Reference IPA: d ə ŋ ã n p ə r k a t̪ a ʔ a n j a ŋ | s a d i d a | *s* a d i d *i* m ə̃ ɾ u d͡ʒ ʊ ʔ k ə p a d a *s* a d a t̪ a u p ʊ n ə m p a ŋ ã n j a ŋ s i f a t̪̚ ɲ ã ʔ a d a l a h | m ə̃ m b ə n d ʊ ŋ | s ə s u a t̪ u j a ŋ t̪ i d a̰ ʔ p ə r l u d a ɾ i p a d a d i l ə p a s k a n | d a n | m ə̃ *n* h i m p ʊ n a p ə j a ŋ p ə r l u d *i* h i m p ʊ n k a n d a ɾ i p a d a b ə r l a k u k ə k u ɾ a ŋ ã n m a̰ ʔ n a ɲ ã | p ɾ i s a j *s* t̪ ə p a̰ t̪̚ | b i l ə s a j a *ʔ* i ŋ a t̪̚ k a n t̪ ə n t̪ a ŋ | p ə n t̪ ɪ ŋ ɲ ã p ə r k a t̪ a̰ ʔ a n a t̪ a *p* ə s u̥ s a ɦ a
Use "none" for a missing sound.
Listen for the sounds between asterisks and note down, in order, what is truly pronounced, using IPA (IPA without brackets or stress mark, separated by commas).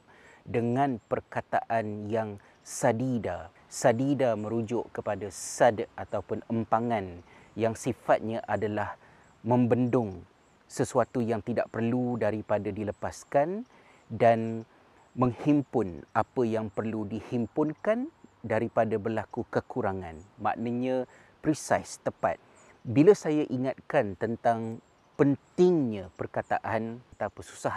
s, a, s, ŋ, i, s, ʔ, p